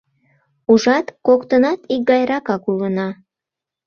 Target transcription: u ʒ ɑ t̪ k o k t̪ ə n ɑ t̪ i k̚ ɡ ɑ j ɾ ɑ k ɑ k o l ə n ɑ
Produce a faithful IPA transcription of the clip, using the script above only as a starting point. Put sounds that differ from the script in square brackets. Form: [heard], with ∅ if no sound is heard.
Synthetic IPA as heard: u ʒ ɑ t̪ k o k t̪ ə n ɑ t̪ i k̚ ɡ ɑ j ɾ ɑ k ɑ k [u] l ə n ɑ